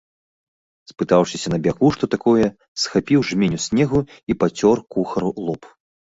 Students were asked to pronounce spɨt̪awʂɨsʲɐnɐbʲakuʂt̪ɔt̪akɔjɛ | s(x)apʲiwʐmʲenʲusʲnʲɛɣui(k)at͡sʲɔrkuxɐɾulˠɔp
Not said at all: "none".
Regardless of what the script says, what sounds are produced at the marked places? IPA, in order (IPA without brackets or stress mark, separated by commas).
x, p